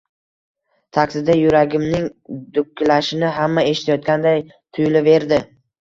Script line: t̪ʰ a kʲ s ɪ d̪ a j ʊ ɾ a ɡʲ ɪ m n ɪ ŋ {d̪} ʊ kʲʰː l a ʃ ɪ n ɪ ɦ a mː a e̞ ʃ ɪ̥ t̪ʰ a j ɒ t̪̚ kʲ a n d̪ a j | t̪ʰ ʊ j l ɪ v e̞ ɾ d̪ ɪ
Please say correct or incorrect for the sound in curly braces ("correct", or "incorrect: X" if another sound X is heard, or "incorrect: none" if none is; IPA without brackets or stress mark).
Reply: correct